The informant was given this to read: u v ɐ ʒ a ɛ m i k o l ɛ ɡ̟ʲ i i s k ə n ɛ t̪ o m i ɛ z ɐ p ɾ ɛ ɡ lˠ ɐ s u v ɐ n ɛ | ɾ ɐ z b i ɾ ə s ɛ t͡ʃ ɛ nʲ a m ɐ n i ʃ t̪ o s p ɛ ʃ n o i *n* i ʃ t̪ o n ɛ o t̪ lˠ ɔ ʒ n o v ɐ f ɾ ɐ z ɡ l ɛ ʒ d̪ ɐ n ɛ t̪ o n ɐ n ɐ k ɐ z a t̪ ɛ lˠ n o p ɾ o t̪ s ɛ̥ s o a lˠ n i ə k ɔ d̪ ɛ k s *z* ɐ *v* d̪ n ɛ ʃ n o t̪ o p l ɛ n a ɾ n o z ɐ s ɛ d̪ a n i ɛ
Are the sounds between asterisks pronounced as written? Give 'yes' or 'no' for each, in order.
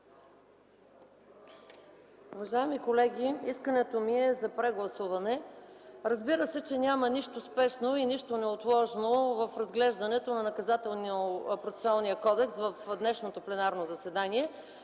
yes, no, no

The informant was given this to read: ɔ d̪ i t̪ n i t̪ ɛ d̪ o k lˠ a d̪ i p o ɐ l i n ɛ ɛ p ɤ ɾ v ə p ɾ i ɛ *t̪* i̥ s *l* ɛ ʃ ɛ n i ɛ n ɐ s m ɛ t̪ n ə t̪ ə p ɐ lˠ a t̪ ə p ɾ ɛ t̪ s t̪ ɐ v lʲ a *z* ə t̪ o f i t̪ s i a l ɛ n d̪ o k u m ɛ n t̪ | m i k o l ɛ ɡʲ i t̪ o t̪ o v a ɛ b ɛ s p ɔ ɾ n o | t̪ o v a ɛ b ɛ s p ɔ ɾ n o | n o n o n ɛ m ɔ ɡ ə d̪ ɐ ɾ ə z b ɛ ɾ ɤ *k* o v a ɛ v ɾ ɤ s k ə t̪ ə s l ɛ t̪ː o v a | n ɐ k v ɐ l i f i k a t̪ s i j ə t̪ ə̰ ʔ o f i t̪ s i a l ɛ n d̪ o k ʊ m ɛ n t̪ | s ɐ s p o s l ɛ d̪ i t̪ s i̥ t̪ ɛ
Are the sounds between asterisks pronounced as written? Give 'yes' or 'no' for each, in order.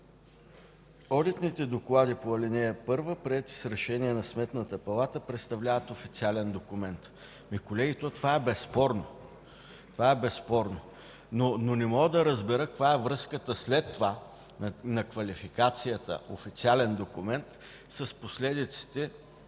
yes, no, no, yes

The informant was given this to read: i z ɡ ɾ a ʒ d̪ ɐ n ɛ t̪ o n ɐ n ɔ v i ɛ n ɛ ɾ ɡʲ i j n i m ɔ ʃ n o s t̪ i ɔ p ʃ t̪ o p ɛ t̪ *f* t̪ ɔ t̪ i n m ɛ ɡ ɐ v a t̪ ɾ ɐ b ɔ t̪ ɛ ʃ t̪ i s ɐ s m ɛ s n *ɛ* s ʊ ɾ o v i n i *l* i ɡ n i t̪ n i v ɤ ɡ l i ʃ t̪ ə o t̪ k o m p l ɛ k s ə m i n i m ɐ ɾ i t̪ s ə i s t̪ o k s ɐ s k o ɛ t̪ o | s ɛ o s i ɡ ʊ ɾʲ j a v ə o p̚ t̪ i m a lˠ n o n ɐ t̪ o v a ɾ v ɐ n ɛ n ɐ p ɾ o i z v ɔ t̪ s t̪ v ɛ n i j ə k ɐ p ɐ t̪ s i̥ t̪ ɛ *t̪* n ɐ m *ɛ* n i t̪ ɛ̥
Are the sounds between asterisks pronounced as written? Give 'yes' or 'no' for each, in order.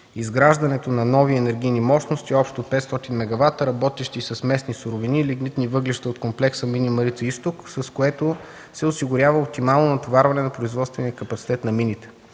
no, no, yes, yes, no

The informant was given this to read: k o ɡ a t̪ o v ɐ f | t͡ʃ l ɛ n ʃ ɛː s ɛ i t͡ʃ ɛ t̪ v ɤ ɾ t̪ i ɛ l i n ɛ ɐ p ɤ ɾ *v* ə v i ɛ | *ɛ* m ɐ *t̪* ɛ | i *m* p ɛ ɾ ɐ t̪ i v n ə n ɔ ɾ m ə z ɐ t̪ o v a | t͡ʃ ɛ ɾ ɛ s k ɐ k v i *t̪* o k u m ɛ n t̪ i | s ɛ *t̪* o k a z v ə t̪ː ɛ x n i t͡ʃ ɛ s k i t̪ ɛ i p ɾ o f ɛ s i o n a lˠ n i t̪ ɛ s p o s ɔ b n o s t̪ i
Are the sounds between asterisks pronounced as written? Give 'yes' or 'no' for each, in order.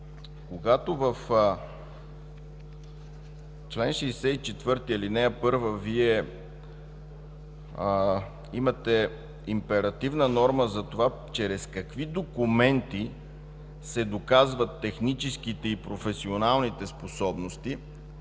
yes, no, yes, yes, no, no

